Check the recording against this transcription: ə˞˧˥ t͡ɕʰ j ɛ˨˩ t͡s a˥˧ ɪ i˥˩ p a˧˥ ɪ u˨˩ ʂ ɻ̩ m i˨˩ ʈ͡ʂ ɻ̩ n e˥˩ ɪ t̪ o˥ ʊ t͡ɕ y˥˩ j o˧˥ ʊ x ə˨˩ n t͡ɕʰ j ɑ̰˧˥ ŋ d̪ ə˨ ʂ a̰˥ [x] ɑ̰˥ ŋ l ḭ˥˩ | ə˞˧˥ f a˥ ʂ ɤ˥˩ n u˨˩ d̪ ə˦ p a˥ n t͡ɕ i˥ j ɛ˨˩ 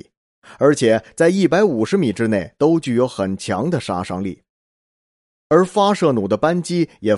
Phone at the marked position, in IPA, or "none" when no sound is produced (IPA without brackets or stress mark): ʂ